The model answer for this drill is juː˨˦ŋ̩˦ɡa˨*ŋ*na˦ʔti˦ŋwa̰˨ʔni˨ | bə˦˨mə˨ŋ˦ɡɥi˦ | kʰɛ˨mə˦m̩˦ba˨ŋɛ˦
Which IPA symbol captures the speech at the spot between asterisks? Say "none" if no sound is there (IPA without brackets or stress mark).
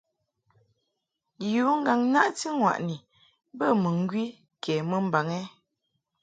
ŋ